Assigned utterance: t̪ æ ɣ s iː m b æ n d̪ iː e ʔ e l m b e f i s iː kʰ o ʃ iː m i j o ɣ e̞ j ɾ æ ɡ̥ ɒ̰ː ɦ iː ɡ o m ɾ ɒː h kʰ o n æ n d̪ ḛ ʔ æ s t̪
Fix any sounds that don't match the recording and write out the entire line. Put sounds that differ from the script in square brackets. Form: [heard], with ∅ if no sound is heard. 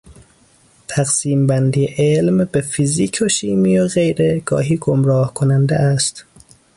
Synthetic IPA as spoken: [t̪ʰ] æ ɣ s iː m b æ n d̪ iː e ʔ e l m b e f i [z] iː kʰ o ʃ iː m i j o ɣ e̞ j ɾ [e] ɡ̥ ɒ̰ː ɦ iː ɡ o m ɾ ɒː h kʰ o n æ n d̪ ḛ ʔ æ s t̪